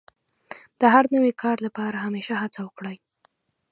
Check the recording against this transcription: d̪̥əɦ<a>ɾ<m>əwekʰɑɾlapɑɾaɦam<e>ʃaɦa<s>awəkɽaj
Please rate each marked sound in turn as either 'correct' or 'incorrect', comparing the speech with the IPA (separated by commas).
correct, incorrect, correct, incorrect